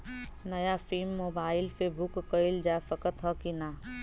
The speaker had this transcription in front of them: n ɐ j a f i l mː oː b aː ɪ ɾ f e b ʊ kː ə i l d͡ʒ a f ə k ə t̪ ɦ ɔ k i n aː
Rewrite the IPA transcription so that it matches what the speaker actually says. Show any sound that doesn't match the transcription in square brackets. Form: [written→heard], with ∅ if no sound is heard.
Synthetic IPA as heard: n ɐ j a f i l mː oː b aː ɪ [ɾ→l] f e b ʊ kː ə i l d͡ʒ a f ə k ə t̪ ɦ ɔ k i n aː